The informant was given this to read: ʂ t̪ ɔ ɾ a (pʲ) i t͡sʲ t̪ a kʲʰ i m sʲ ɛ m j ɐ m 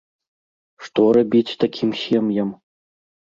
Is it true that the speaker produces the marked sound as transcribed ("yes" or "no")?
no